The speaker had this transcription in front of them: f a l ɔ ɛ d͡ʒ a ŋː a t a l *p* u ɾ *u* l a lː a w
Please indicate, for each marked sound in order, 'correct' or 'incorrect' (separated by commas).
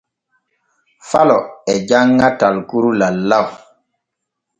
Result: incorrect, correct